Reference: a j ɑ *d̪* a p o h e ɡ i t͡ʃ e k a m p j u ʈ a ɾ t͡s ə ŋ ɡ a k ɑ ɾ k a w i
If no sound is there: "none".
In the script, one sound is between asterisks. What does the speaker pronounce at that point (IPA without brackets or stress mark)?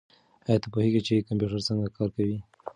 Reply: t̪